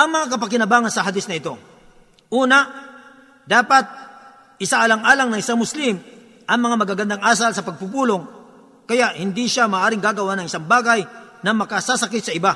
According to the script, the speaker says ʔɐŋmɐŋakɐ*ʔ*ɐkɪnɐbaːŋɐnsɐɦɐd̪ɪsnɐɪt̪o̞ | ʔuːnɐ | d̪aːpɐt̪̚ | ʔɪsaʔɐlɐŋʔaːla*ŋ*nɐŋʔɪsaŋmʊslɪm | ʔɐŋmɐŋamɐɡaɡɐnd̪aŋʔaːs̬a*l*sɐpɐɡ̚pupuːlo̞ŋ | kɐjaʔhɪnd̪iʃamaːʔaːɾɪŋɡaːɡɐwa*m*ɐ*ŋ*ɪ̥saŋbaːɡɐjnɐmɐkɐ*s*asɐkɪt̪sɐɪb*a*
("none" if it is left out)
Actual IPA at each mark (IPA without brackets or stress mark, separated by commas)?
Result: p, ŋ, l, n, ŋ, s, a